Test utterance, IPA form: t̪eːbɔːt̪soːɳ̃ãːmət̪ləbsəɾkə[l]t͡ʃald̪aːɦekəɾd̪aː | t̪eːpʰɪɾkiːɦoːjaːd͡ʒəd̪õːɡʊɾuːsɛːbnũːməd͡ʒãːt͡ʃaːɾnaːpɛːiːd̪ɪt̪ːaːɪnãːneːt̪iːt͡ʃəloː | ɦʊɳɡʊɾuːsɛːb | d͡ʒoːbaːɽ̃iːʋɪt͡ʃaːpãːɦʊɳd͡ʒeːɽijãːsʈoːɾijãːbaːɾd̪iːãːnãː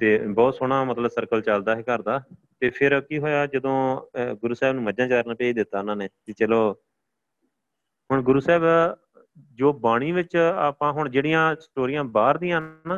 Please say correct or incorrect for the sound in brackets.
correct